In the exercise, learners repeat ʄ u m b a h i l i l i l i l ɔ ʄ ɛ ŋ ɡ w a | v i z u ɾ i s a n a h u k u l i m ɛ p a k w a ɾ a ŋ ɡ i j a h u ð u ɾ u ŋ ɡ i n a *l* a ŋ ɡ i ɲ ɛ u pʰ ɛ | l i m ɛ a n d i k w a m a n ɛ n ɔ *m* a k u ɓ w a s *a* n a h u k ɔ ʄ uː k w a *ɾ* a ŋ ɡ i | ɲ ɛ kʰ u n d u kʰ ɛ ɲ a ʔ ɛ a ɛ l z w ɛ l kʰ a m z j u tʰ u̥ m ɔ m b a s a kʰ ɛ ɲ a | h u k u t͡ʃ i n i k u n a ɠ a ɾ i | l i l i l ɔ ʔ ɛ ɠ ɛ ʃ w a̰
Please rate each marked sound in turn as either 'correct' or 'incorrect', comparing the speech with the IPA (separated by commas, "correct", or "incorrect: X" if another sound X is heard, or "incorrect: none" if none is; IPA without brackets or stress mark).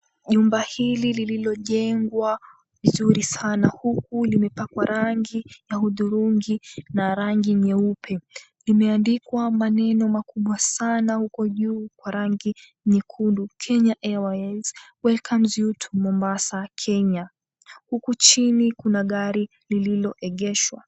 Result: incorrect: ɾ, correct, correct, correct